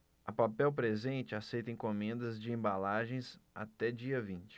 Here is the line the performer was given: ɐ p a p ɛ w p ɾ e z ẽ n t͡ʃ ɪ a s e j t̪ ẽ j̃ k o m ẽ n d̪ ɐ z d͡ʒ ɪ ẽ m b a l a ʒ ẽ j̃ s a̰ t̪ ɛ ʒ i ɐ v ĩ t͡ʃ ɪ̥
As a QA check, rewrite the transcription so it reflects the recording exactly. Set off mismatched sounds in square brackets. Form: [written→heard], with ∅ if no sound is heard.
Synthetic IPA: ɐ p a p ɛ w p ɾ e z ẽ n t͡ʃ ɪ a s e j t̪ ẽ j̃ k o m ẽ n d̪ ɐ z d͡ʒ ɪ ẽ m b a l a ʒ ẽ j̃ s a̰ t̪ ɛ [ʒ→d͡ʒ] i ɐ v ĩ t͡ʃ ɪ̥